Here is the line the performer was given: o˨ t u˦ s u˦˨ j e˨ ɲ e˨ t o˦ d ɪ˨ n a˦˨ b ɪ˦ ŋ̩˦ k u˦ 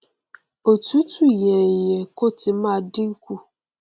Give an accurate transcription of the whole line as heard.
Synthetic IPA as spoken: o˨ t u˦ t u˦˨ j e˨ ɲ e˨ k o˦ t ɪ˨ m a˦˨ d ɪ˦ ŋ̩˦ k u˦